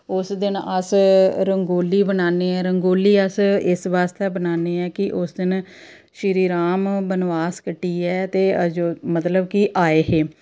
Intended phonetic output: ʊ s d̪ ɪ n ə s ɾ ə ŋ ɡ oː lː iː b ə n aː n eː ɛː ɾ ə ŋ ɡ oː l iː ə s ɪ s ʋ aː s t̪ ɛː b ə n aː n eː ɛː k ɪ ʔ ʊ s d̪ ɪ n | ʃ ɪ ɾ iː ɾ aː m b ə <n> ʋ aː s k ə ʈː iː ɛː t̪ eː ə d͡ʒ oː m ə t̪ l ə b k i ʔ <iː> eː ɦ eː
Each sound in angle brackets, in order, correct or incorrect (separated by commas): correct, incorrect